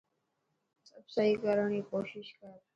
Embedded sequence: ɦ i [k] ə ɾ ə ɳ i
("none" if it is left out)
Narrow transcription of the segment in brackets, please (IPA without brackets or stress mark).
k